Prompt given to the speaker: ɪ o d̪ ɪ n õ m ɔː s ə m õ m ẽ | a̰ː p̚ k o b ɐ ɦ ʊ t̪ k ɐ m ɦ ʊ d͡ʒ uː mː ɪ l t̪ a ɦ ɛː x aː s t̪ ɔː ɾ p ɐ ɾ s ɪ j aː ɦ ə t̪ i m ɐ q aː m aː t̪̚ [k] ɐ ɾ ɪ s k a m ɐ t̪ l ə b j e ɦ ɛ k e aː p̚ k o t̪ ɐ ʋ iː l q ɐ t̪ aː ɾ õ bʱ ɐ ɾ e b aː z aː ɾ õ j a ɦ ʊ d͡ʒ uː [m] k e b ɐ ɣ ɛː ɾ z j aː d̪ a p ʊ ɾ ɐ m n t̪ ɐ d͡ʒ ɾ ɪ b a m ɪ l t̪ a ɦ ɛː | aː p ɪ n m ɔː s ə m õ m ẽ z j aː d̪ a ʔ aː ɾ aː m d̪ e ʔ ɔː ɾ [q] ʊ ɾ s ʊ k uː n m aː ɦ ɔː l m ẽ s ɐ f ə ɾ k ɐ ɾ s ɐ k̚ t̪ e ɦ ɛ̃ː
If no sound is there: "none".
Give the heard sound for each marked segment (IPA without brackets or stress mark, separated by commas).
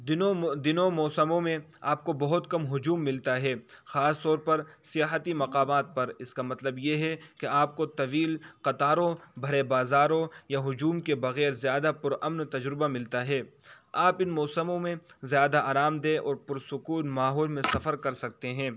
p, m, p